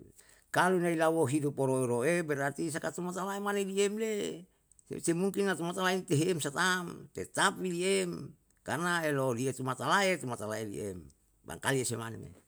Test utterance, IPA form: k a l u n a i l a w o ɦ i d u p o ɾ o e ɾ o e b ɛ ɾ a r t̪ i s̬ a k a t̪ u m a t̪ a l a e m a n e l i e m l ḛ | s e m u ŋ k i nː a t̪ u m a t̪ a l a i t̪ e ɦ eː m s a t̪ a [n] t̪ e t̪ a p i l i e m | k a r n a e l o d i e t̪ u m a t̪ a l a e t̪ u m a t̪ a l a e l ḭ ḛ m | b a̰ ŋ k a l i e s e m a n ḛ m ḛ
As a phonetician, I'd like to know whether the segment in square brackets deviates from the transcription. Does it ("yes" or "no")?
yes